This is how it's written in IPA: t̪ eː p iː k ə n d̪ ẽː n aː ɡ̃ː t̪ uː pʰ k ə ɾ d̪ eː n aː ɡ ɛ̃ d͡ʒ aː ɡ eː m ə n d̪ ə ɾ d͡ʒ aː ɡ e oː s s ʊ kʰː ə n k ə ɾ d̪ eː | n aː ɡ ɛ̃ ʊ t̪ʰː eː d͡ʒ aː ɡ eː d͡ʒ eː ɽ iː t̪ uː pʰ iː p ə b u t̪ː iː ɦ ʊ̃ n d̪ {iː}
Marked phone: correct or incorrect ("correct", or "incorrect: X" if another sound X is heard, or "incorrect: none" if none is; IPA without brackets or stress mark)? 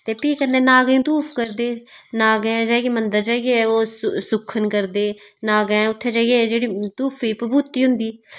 correct